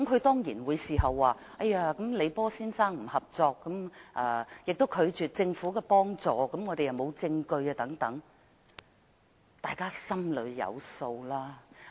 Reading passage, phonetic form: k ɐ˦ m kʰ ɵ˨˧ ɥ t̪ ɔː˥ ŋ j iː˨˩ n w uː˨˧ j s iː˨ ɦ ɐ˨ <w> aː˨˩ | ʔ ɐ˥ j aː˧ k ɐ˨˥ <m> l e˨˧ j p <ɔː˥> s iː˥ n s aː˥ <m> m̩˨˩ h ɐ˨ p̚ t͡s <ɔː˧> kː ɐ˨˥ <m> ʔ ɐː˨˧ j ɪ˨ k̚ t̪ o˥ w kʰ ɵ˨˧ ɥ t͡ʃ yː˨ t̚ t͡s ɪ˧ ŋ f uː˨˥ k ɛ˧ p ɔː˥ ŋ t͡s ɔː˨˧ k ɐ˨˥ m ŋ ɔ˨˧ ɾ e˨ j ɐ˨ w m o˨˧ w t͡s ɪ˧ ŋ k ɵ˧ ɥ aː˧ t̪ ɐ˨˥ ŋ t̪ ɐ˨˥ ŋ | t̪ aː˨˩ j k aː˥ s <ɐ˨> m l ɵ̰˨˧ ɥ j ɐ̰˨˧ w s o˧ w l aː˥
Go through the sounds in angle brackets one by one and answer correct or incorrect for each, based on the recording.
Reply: incorrect, correct, correct, incorrect, correct, correct, incorrect

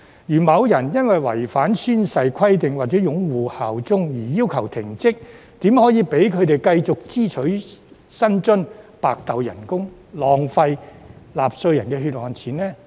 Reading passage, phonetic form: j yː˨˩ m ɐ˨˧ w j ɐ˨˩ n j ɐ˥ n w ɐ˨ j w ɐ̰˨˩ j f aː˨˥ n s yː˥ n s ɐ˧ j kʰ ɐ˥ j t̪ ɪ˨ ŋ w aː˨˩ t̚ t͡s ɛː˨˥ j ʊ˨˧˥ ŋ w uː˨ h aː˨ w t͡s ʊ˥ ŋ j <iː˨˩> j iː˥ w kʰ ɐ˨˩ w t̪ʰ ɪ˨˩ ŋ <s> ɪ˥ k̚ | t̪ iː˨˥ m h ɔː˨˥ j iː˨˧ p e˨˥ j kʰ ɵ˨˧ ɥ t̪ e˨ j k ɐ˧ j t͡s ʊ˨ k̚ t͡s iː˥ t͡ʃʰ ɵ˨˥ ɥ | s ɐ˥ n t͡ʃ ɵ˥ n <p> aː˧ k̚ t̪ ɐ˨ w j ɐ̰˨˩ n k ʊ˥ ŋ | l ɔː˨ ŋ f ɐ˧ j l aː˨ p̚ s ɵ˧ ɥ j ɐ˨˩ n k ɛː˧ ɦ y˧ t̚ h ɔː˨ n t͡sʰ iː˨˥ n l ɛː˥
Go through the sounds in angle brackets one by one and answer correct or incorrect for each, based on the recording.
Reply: correct, incorrect, correct

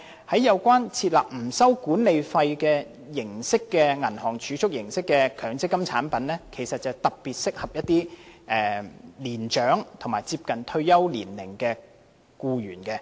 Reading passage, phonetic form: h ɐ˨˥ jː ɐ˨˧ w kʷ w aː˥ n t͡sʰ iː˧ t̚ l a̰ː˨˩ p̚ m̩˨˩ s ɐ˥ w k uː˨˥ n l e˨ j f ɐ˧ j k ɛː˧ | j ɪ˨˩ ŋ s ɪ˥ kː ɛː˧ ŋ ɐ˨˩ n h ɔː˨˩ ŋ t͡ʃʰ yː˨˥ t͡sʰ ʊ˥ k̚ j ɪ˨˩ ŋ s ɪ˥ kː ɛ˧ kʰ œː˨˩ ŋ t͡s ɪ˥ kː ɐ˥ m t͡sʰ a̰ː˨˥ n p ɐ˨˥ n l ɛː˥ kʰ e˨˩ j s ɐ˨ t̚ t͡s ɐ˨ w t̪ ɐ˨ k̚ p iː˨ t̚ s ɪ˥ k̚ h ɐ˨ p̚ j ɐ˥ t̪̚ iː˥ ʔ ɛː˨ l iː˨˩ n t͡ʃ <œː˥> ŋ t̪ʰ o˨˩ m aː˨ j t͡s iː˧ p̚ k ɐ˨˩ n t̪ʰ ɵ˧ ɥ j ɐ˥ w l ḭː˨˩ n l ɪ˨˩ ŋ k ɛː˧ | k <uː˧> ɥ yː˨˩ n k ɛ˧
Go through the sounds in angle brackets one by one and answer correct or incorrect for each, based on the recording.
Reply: incorrect, correct

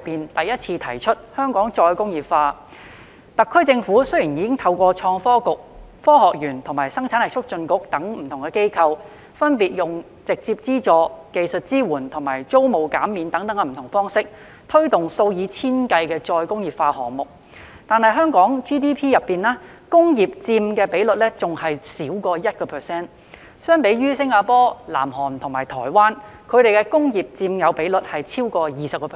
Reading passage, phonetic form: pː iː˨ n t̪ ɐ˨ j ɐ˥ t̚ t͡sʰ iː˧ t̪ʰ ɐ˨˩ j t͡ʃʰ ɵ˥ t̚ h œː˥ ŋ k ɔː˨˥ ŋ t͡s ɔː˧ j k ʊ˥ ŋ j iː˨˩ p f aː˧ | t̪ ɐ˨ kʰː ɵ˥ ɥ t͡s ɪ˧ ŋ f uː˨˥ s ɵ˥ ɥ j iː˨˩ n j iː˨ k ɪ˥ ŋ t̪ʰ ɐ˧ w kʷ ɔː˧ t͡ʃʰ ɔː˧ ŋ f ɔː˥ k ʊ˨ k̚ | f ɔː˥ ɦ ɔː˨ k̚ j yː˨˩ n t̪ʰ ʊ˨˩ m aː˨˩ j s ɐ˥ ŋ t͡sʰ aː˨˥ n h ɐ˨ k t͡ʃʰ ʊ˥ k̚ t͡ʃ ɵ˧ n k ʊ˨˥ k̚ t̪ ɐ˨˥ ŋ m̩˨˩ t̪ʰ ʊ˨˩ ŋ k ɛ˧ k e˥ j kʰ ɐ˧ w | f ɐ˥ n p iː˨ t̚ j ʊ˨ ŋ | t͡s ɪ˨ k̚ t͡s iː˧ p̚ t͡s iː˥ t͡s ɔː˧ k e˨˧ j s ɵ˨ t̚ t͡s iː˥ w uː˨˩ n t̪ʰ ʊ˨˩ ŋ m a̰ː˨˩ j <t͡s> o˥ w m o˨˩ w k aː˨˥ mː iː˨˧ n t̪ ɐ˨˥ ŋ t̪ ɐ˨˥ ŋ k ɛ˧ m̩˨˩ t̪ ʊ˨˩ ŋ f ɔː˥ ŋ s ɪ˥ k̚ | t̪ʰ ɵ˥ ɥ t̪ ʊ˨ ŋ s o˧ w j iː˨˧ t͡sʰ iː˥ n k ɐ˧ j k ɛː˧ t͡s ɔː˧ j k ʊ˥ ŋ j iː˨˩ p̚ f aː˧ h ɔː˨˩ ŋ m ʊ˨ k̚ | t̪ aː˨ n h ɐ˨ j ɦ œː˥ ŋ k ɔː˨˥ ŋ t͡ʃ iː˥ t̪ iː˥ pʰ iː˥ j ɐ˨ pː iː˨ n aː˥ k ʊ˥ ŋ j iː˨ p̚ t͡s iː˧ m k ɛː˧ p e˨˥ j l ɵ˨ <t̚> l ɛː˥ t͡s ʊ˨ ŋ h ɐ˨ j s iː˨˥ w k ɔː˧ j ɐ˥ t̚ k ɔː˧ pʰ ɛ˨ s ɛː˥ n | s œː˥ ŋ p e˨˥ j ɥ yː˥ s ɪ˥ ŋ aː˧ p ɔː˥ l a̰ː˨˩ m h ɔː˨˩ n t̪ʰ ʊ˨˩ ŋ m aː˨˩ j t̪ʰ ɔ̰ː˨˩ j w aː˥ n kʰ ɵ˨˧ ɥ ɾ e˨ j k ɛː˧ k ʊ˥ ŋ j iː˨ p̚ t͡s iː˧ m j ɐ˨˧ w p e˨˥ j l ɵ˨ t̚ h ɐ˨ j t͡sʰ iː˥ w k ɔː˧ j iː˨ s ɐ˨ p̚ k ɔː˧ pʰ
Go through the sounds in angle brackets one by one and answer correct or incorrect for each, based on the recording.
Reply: correct, correct

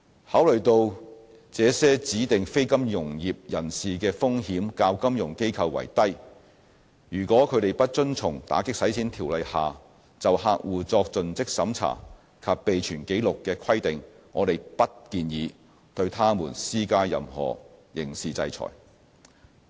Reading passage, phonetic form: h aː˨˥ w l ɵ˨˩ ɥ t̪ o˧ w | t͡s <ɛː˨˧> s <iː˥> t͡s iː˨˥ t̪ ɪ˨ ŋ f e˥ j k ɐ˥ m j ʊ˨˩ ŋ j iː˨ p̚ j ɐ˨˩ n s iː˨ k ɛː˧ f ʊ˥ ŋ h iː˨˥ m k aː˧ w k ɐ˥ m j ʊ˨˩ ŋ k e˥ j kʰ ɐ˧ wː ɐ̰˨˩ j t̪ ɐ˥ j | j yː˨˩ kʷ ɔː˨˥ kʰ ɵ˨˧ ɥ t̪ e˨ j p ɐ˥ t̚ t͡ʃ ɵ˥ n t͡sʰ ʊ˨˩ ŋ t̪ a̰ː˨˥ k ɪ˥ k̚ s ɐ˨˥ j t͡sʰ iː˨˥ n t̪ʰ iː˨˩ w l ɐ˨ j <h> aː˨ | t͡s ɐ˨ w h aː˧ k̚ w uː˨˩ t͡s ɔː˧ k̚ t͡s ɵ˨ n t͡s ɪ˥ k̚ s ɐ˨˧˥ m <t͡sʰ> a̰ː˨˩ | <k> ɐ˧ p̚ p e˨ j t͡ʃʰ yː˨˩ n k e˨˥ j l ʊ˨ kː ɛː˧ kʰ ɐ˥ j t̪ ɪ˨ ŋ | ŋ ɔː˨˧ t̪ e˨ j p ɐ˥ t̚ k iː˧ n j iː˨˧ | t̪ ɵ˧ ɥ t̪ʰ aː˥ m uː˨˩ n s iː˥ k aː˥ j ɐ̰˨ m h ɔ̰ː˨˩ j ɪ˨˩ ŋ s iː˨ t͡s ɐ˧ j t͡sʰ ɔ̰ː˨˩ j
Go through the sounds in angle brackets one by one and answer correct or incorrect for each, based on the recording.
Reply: correct, incorrect, correct, correct, incorrect

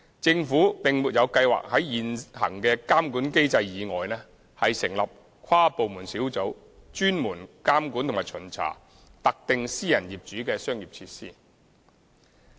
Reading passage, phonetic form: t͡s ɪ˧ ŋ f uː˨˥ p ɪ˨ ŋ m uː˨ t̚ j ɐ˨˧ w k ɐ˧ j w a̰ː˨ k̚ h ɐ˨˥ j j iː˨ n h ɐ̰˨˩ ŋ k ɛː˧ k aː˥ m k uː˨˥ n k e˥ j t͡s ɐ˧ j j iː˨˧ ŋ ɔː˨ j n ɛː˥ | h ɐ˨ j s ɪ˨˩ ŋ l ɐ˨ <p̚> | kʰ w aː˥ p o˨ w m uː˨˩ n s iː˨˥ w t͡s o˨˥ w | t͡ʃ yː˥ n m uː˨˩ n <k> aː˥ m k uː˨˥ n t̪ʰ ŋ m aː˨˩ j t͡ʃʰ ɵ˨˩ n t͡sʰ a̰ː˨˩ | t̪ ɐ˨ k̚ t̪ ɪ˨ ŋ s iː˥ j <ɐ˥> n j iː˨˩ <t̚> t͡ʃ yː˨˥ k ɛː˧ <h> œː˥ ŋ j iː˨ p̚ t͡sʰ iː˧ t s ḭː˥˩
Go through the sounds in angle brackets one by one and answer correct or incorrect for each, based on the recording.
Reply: correct, correct, incorrect, incorrect, incorrect

